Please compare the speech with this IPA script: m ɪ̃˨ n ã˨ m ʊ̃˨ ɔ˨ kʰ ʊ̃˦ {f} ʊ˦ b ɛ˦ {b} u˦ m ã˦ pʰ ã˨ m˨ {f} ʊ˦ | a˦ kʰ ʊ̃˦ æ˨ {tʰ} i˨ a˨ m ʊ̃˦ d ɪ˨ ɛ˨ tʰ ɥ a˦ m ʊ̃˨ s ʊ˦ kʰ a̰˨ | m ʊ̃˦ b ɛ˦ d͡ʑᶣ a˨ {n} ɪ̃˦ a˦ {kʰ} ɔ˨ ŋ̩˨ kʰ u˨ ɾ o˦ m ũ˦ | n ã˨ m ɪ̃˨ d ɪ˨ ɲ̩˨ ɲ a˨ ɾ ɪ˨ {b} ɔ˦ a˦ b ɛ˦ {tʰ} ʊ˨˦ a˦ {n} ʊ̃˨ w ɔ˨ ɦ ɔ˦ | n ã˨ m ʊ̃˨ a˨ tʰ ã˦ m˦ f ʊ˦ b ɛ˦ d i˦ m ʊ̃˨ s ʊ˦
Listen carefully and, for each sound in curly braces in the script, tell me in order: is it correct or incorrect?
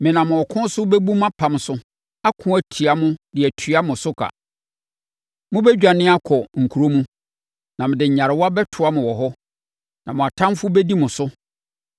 incorrect: s, correct, incorrect: s, correct, correct, correct, incorrect: w, correct, incorrect: m

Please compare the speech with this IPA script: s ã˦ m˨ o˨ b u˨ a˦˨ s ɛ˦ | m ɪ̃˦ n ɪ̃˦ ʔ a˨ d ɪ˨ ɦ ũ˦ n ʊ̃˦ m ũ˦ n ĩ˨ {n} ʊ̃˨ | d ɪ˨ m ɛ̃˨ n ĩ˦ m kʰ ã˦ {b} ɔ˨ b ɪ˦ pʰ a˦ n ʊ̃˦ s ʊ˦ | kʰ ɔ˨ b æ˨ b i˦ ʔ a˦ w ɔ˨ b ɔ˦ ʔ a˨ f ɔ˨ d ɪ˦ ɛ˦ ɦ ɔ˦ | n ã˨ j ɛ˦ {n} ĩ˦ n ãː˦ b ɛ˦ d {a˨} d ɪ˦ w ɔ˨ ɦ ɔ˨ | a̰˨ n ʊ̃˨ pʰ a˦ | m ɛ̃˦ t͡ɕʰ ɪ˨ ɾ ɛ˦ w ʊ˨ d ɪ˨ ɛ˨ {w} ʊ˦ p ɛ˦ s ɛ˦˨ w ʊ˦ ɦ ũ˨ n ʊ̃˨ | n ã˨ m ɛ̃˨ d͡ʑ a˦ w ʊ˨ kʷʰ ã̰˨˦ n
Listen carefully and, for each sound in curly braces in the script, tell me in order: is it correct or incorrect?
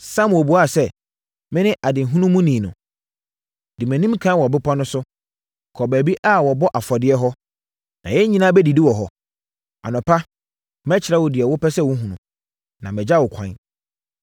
correct, incorrect: w, incorrect: ɲ, incorrect: i˨, correct

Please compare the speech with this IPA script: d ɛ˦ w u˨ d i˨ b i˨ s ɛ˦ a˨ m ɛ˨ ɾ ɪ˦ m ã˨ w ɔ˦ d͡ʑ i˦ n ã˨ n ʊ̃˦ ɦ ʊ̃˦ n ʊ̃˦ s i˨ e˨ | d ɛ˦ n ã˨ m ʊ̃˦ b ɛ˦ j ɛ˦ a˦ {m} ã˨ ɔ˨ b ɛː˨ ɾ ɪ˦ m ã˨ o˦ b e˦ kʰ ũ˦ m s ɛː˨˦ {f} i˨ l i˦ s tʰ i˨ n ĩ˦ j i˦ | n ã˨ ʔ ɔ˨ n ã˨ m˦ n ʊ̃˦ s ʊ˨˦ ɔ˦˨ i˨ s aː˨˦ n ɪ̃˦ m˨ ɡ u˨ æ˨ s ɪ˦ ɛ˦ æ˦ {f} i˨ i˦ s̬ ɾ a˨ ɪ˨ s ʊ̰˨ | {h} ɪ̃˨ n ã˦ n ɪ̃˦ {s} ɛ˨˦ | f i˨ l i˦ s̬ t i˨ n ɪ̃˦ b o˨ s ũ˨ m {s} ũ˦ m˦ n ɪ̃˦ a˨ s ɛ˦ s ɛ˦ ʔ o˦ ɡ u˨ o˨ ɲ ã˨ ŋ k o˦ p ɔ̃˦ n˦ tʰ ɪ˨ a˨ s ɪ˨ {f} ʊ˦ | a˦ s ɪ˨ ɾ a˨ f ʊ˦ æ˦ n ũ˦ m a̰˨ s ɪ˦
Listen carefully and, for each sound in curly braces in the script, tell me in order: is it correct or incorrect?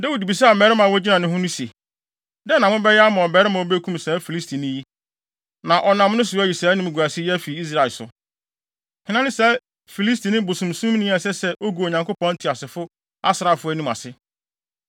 correct, correct, correct, correct, correct, correct, correct

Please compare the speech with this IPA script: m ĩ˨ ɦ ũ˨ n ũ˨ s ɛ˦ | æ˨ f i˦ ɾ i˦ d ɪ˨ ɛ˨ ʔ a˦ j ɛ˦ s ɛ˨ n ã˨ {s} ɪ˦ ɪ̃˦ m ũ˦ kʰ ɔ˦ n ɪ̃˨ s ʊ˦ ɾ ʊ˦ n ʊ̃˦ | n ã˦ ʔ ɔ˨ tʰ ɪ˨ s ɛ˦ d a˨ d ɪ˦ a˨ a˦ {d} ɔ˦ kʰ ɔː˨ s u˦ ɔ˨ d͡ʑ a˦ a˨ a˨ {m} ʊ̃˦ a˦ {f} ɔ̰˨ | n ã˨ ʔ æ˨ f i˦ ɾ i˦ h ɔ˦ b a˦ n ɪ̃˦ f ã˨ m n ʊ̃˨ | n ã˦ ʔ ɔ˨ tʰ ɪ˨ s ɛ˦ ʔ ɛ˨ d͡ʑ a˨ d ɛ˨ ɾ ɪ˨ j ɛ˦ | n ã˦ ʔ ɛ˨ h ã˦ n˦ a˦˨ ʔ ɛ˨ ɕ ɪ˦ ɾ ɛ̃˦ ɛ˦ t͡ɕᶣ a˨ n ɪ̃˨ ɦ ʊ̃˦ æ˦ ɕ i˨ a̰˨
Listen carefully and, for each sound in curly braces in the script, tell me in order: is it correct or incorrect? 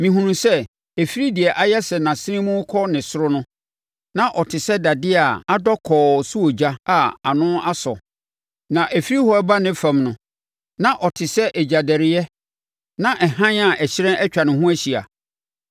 correct, correct, incorrect: n, incorrect: s

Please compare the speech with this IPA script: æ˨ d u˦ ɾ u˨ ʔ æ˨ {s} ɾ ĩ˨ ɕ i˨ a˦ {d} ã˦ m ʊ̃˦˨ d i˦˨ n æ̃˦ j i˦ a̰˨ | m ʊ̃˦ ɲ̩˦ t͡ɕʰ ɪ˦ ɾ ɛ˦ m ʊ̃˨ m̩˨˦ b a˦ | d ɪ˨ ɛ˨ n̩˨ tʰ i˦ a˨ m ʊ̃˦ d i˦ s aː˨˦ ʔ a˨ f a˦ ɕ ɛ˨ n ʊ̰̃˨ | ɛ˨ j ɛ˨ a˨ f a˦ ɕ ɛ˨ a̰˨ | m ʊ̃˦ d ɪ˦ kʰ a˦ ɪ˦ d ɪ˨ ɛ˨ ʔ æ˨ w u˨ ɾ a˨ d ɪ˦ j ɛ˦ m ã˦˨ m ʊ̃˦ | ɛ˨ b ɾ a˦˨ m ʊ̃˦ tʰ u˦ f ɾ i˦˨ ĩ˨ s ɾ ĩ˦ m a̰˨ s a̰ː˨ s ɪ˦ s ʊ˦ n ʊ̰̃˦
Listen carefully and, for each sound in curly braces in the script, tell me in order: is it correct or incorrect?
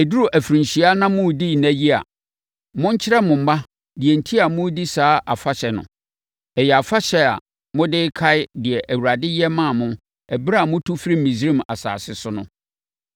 incorrect: f, incorrect: n

